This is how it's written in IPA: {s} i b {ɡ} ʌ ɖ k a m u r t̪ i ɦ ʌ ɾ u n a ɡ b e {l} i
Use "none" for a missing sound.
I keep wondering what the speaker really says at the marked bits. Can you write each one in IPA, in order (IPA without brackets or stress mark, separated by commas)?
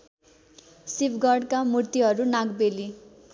s, ɡ, l